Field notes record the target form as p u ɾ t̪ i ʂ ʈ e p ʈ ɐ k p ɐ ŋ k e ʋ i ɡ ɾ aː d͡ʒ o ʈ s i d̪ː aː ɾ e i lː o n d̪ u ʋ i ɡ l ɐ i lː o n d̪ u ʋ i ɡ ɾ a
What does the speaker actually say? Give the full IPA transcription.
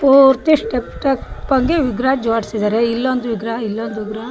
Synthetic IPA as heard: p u ɾ t̪ i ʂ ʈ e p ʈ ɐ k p ɐ ŋ ɡ e ʋ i ɡ ɾ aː d͡ʒ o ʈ s i d̪ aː ɾ e i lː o n d̪ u ʋ i ɡ ɾ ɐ i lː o n d̪ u ʋ i ɡ ɾ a